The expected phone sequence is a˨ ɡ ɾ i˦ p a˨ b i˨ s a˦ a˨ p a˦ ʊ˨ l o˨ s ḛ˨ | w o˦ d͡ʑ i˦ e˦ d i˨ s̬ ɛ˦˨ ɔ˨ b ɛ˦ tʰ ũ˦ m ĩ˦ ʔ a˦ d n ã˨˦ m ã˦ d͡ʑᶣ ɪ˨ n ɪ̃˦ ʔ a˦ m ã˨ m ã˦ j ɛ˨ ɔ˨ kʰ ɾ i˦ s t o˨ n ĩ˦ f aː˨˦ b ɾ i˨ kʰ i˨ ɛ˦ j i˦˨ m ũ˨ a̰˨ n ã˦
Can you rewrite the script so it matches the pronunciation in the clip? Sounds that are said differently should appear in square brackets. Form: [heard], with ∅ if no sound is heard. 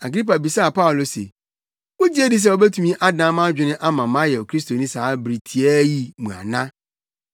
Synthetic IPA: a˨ ɡ ɾ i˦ p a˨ b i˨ s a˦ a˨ p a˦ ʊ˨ l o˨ s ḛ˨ | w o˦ d͡ʑ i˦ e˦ d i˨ s̬ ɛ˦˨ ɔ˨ b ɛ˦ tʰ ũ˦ m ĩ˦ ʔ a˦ d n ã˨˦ m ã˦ d͡ʑᶣ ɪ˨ n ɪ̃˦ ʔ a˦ m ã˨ m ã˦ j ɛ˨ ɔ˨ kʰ ɾ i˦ s t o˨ n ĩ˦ [s] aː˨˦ b ɾ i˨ [tʰ] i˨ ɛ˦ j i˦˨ m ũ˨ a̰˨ n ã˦